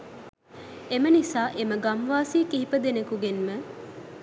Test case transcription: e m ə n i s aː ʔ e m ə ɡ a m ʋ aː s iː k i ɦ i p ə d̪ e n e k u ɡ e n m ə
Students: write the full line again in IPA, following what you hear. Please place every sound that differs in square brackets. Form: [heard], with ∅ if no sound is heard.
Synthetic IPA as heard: e m ə n i s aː ʔ e m ə ɡ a m ʋ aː s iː k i ɦ i p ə d̪ e n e k u ɡ e n m ə